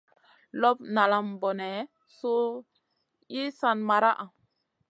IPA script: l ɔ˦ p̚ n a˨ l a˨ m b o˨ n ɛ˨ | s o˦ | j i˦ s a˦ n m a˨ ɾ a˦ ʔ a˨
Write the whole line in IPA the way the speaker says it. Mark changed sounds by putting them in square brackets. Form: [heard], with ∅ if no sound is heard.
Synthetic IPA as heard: l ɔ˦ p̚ n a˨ l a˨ m b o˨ n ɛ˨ | s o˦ | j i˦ s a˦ n m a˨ ɾ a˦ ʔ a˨